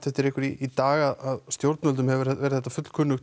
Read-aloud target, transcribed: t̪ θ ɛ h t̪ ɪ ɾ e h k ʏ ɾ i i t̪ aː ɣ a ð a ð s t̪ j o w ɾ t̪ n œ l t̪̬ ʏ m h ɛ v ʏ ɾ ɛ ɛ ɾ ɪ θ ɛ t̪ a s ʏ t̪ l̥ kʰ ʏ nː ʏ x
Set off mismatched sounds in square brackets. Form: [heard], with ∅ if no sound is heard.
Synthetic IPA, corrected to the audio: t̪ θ ɛ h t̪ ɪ ɾ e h k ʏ ɾ i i t̪ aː ɣ a ð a ð s t̪ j o w ɾ t̪ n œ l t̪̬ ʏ m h ɛ v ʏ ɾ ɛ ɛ ɾ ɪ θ ɛ t̪ a [f] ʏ t̪ l̥ kʰ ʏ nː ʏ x